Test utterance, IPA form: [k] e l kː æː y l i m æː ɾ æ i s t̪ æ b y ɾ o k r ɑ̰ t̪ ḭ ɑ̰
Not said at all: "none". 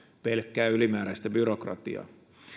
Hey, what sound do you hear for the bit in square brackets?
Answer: p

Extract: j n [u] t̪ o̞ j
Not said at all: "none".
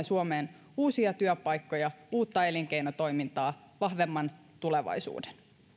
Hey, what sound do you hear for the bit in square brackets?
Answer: o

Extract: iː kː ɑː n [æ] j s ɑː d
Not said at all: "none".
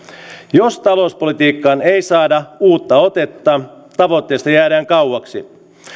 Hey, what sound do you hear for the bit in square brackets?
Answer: e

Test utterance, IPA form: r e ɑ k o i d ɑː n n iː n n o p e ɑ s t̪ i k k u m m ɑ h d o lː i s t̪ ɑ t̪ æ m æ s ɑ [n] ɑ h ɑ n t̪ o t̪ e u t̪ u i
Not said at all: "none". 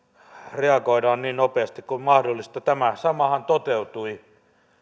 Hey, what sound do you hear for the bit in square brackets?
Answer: m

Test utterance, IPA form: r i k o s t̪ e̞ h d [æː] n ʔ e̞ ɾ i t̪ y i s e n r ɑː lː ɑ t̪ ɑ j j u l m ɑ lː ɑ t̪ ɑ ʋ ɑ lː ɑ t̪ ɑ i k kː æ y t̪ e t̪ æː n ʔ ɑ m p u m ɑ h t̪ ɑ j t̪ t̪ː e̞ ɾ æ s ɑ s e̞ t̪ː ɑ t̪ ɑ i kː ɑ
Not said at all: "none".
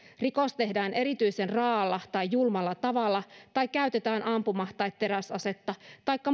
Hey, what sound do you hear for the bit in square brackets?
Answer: æː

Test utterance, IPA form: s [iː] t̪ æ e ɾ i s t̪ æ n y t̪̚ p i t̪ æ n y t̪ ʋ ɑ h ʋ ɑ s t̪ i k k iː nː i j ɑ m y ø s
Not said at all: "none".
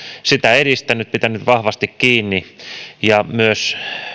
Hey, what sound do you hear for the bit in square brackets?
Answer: i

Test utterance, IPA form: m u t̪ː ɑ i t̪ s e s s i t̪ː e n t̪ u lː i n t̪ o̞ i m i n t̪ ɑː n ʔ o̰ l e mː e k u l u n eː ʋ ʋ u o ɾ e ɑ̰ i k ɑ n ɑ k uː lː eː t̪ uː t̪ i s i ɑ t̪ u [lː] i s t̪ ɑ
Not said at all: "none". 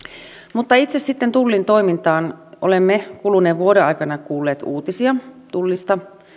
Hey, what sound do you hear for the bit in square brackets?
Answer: lː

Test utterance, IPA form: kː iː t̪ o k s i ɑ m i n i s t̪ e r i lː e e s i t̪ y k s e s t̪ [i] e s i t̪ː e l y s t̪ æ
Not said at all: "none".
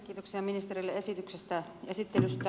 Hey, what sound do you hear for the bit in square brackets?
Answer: æ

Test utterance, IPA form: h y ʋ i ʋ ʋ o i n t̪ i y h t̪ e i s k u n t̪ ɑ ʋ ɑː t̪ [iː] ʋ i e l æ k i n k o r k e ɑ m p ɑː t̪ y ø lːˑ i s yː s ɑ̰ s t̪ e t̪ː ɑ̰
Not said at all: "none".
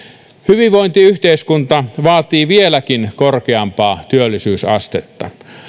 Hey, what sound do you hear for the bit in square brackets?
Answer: iː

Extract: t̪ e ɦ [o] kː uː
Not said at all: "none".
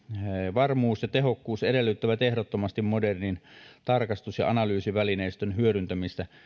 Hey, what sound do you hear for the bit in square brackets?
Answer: o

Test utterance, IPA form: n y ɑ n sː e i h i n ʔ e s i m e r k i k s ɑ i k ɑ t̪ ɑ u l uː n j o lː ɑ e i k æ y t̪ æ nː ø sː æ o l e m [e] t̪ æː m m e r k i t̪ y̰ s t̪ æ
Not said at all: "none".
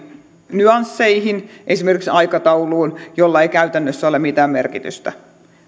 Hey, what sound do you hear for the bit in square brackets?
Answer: i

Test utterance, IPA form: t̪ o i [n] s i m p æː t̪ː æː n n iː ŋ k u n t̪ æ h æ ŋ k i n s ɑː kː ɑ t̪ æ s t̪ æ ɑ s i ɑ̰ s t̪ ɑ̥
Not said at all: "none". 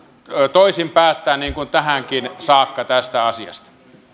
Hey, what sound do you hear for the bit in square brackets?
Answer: none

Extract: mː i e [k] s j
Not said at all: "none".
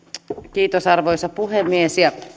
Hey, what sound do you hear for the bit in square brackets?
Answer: none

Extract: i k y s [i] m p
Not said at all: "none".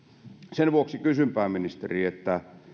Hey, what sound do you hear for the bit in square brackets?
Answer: y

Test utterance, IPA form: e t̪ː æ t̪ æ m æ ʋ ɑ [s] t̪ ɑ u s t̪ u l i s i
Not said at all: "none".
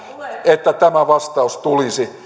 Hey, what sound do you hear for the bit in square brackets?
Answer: s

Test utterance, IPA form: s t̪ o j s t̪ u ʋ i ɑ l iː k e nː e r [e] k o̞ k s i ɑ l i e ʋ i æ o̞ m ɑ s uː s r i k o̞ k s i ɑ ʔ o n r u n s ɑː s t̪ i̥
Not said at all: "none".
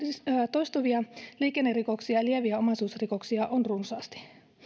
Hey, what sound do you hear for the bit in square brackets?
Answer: i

